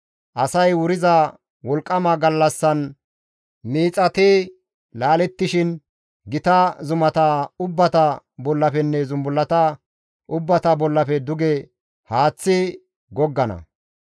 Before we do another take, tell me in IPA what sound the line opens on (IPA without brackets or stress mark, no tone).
ʔ